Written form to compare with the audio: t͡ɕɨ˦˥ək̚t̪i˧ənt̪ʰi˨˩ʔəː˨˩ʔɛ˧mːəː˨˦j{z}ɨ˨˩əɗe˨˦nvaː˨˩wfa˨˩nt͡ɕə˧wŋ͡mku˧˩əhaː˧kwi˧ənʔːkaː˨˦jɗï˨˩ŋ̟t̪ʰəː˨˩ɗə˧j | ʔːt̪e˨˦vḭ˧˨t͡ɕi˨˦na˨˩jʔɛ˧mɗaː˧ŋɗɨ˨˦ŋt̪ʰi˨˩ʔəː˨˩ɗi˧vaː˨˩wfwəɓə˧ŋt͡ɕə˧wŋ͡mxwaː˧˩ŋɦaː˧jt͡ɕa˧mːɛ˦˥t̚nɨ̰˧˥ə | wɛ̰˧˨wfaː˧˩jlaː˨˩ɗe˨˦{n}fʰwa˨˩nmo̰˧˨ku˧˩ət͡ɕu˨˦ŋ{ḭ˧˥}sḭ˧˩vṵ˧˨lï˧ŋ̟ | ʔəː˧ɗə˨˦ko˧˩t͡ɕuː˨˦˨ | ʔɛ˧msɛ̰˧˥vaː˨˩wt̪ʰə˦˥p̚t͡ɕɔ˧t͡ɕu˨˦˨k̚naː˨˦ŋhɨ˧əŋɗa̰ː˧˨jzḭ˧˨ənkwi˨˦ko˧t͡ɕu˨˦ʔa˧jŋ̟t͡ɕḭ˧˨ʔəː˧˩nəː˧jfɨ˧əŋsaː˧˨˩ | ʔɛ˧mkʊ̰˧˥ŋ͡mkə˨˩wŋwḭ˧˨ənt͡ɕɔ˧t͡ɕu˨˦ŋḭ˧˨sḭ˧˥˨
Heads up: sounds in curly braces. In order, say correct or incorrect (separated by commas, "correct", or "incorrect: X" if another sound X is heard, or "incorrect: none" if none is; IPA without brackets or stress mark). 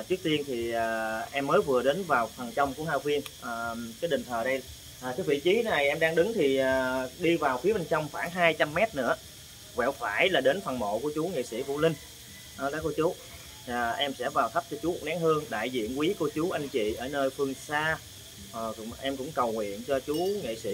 incorrect: v, correct, incorrect: ḭ˧˨